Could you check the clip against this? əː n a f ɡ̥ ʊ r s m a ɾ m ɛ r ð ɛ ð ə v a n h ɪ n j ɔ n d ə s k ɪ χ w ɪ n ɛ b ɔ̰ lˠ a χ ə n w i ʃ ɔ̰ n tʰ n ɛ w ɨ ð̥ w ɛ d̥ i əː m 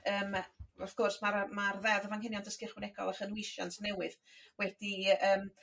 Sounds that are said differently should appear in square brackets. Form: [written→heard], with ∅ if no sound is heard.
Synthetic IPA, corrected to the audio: əː [n→m] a f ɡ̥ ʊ r s m a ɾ m [ɛ→a] r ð ɛ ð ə v a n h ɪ n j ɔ n d ə s k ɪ χ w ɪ n ɛ [b→ɡ] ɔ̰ lˠ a χ ə n w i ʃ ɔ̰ n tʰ n ɛ w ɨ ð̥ w ɛ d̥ i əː m